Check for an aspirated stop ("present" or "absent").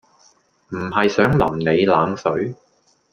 absent